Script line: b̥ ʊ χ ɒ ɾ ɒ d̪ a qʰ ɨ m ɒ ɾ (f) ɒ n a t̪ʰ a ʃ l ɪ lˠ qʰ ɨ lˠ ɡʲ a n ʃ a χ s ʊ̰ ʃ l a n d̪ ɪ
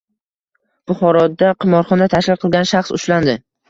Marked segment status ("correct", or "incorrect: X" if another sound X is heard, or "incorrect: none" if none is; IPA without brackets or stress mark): incorrect: χ